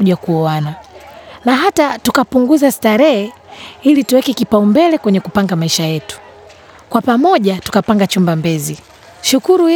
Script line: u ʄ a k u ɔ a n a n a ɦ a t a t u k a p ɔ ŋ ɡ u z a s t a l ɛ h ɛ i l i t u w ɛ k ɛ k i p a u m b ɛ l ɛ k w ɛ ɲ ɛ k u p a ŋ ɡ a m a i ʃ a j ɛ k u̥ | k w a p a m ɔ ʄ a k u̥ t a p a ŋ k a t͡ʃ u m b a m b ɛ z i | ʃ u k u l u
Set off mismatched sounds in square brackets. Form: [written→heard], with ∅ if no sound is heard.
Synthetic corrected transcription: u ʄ a k u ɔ a n a n a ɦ a t a t u k a p [ɔ→u] ŋ ɡ u z a s t a [l→ɾ] ɛ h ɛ i l i t u w ɛ k ɛ k i p a u m b ɛ l ɛ k w ɛ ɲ ɛ k u p a ŋ ɡ a m a i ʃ a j ɛ [k→t] u̥ | k w a p a m ɔ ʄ a [k→t] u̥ [t→k] a p a ŋ [k→ɡ] a t͡ʃ u m b a m b ɛ z i | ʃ u k u [l→ɾ] u